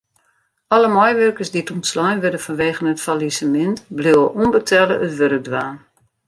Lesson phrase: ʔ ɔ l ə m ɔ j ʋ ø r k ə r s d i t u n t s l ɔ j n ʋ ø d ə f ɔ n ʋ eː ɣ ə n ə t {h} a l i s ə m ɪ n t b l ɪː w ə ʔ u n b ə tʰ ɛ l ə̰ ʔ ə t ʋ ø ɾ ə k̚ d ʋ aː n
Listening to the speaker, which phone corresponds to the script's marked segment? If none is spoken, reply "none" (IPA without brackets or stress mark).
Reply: f